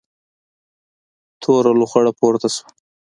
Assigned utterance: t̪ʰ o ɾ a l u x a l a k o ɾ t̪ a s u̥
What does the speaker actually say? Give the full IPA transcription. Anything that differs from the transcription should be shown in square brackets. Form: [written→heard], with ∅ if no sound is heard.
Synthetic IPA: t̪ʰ o ɾ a l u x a [l→ɽ] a [k→p] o ɾ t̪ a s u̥